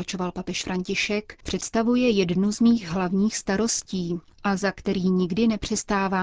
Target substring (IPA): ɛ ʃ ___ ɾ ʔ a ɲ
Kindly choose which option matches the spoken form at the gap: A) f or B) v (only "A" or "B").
A